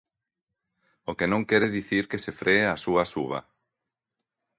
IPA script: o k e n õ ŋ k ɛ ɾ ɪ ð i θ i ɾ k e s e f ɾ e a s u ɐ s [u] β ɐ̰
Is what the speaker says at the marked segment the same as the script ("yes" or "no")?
yes